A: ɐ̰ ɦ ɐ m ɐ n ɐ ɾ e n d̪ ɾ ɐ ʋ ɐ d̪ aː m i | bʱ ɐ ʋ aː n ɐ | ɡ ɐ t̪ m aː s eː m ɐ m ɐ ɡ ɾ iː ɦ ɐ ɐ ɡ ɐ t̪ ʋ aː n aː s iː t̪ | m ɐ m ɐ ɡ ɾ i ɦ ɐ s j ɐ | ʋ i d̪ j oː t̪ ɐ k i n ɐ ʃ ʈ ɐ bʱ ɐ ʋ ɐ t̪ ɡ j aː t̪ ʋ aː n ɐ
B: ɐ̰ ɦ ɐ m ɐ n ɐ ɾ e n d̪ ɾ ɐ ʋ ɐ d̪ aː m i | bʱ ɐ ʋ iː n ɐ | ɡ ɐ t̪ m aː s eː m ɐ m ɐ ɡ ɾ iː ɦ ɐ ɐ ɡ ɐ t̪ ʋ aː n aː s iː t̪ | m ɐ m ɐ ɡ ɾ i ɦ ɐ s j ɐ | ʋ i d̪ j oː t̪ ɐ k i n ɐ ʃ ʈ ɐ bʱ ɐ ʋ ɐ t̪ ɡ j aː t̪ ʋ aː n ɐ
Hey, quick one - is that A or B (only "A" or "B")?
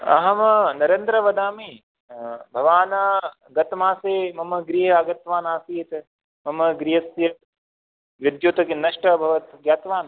A